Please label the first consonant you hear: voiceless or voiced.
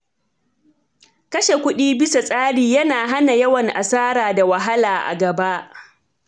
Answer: voiceless